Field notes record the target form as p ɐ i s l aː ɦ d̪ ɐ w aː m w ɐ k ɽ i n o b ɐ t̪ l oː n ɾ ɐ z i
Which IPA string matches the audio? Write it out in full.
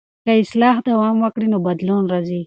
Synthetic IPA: k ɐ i s l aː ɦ d̪ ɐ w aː m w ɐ k ɽ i n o b ɐ d̪ l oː n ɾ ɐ z i